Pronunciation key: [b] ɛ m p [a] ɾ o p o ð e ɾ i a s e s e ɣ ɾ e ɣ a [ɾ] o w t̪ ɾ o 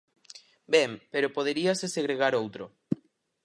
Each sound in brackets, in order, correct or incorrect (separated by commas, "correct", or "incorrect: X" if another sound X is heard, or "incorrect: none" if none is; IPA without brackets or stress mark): correct, incorrect: e, correct